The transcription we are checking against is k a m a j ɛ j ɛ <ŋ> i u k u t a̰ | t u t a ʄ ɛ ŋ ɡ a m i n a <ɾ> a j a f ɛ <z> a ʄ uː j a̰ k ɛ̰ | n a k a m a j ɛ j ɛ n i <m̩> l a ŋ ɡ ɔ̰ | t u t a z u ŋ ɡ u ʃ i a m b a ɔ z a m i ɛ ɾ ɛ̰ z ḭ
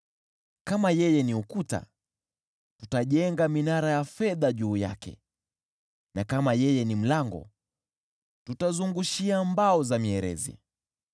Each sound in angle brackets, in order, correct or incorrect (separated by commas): incorrect, correct, incorrect, correct